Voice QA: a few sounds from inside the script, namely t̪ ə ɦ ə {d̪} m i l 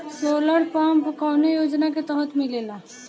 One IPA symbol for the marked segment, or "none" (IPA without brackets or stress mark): t̪